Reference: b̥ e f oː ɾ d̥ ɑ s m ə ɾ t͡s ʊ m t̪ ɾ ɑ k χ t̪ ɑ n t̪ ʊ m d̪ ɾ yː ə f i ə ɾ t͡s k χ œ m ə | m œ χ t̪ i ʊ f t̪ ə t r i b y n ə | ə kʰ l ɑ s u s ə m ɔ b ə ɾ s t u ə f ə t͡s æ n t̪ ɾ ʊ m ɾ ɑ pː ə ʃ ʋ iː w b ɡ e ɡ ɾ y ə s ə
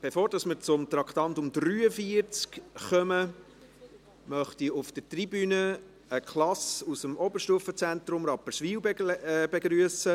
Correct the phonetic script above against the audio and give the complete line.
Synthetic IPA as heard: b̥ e f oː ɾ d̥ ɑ s m ə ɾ t͡s ʊ m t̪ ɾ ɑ k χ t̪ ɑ n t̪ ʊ m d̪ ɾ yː ə f i ə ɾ t͡s k χ œ m ə | m œ χ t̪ i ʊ f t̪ ə t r i b y n ə | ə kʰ l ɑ s u s ə m ɔ b ə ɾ ʃ t u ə f ə t͡s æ n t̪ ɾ ʊ m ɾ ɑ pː ə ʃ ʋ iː w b b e ɡ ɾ y ə s ə